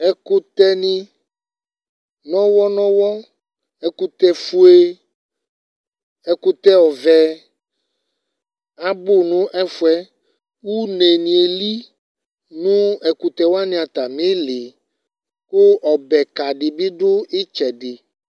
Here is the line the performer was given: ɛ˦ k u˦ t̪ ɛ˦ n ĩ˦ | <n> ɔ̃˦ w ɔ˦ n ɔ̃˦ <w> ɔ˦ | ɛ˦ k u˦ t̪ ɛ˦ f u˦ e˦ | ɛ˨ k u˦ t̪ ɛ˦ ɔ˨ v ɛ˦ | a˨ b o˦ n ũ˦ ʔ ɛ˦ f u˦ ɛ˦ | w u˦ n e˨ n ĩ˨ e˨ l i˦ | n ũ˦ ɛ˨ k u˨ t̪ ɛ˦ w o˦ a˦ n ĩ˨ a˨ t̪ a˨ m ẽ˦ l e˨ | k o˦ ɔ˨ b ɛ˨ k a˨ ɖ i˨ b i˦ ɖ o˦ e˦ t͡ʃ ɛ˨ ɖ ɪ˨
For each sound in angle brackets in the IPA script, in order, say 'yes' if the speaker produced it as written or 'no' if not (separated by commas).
yes, yes